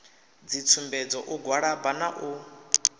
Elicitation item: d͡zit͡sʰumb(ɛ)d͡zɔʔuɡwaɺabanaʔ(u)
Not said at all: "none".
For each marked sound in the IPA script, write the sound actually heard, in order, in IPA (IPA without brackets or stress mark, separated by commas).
ɛ, u